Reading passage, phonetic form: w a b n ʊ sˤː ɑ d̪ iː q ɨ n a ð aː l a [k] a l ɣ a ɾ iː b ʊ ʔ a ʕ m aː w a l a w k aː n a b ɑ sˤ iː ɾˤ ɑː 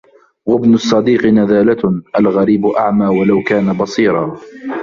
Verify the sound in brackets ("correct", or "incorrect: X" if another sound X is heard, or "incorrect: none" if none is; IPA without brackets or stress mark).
incorrect: ʔ